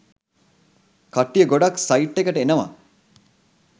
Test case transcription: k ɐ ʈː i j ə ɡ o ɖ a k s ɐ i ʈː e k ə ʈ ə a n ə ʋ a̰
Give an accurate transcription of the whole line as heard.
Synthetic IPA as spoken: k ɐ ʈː i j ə ɡ o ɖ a k s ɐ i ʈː e k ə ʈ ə e n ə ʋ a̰